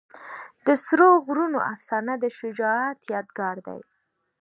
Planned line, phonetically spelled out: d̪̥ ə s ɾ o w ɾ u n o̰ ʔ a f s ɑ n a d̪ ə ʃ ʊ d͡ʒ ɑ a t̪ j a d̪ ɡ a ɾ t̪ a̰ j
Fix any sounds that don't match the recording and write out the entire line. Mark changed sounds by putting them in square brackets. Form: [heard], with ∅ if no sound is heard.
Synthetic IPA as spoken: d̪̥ ə s ɾ o [ɣ] ɾ u n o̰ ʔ a f s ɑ n a d̪ ə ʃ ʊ d͡ʒ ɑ a t̪ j [ɑ] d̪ ɡ [ɑ] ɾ [d̪] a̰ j